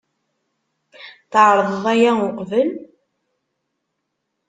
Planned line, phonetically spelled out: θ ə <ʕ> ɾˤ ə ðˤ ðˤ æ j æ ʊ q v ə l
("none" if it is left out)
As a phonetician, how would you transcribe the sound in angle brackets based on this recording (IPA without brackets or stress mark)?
ʕ